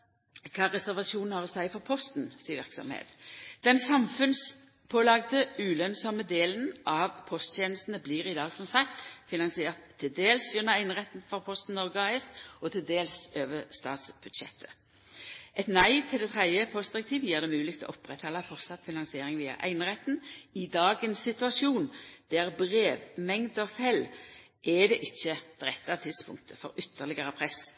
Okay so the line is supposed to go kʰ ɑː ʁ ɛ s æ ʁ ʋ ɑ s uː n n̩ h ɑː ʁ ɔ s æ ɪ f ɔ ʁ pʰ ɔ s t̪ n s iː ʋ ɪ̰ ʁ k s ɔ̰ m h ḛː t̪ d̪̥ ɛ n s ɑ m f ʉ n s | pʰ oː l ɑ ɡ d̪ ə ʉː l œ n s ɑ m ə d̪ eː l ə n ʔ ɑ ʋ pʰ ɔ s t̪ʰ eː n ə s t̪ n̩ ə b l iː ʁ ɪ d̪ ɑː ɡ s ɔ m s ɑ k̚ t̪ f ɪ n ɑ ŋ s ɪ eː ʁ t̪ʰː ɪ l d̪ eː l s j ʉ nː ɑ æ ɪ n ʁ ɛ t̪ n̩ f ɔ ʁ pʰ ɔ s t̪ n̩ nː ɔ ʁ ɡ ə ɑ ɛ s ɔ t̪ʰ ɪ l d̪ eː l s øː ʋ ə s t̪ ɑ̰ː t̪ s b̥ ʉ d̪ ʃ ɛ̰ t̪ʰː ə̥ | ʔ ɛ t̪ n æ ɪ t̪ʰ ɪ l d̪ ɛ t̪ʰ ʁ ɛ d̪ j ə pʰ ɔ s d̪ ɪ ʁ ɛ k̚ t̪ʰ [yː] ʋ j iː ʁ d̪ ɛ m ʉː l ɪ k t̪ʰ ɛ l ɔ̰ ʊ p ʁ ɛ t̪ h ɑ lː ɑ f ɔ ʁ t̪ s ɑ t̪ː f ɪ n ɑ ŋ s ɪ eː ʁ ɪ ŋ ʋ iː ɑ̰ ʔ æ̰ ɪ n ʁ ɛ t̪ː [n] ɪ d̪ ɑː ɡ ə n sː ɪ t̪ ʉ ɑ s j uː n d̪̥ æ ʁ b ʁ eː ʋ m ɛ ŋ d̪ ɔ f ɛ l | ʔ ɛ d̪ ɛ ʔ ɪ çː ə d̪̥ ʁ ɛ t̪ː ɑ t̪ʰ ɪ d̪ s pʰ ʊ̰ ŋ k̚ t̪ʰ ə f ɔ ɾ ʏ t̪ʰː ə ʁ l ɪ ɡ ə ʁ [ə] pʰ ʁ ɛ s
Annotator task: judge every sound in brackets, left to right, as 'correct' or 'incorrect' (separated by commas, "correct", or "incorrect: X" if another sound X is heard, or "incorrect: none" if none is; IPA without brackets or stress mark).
incorrect: iː, correct, correct